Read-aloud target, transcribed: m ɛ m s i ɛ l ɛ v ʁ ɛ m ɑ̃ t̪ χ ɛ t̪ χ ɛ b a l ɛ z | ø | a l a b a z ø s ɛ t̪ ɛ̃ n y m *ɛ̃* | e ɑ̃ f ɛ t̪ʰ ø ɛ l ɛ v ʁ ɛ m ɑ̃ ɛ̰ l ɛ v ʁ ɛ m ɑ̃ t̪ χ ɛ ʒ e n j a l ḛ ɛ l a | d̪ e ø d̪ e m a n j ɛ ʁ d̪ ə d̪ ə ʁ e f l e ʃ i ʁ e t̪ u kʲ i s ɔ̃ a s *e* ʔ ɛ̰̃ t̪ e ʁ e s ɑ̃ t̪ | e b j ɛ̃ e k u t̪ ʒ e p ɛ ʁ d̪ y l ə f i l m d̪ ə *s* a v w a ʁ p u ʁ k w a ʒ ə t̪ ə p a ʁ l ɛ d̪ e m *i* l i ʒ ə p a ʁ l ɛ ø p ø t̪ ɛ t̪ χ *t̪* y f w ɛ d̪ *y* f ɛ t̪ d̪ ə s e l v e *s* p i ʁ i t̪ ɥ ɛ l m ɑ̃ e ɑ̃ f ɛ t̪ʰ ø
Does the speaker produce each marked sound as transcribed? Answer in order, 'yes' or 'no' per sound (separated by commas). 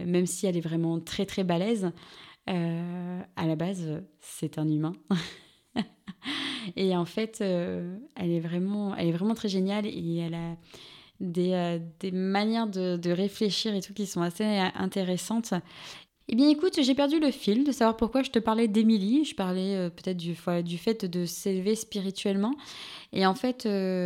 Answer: yes, yes, yes, yes, no, yes, yes